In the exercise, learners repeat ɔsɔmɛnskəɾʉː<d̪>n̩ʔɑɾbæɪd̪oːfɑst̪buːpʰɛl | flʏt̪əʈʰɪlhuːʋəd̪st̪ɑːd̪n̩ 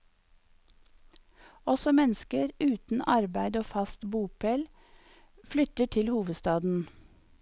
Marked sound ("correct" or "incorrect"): incorrect